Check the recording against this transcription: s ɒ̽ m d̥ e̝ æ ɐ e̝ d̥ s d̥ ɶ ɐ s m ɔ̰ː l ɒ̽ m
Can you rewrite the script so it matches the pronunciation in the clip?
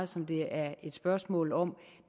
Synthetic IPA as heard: s ɒ̽ m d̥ e̝ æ ɐ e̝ d̥ s b̥ ɶ ɐ s m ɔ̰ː l ɒ̽ m